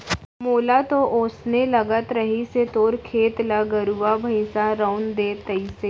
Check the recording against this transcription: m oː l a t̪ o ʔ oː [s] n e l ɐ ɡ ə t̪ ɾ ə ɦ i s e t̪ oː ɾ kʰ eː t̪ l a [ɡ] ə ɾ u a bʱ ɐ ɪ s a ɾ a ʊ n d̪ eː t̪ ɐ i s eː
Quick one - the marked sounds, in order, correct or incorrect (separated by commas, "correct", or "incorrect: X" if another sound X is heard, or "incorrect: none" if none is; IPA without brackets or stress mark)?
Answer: correct, correct